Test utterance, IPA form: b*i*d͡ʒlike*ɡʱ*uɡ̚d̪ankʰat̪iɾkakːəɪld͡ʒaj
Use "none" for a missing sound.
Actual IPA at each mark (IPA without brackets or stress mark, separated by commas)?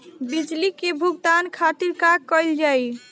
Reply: i, bʱ